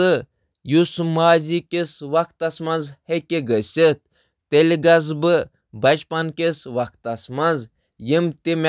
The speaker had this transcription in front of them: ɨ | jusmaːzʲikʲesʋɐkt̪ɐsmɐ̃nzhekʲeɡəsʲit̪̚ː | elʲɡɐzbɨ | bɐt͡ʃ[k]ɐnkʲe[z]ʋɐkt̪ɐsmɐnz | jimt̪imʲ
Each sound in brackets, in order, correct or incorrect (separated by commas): incorrect, incorrect